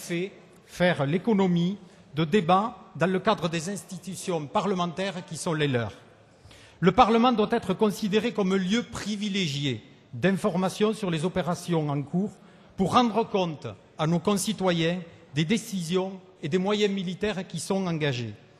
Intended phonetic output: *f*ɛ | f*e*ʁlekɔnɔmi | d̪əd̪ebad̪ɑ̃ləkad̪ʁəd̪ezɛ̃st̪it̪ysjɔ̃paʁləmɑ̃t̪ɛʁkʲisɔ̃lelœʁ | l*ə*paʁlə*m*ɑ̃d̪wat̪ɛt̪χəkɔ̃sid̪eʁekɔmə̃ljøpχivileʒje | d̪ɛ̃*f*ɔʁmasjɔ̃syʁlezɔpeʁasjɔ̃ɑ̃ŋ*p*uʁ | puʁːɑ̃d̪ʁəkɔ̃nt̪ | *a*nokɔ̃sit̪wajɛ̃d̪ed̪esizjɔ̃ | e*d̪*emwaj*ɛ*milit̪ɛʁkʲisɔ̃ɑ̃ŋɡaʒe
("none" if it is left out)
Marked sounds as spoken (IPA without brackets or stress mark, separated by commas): f, ɛ, ə, m, f, k, a, d̪, ɛ̃